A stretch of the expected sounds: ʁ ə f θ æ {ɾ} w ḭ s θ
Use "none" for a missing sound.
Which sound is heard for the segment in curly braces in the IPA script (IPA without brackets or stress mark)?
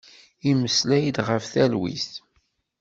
l